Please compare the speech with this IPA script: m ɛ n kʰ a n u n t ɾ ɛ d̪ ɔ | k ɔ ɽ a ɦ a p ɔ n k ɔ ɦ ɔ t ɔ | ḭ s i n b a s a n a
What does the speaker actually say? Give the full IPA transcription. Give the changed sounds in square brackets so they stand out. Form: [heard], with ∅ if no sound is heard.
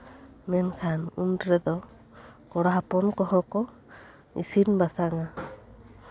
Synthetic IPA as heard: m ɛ n kʰ a n u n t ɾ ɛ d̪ ɔ | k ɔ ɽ a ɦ a p ɔ n k ɔ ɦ ɔ [k] ɔ | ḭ s i n b a s a [ŋ] a

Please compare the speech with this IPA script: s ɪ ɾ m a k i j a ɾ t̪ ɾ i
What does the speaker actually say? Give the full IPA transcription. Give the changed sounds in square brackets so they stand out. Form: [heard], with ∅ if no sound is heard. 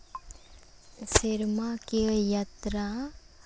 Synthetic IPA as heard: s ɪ ɾ m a k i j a [∅] t̪ ɾ [a]

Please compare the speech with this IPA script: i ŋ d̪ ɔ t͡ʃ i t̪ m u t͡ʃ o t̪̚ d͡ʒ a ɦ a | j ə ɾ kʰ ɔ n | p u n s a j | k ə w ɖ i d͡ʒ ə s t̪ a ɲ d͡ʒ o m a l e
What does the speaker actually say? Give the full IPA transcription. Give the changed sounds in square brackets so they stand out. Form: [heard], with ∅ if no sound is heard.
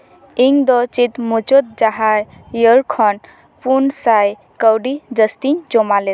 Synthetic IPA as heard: i ŋ d̪ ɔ t͡ʃ i t̪ m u t͡ʃ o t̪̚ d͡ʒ a ɦ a | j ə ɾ kʰ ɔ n | p u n s a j | k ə w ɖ i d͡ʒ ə s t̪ [i] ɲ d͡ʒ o m a l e

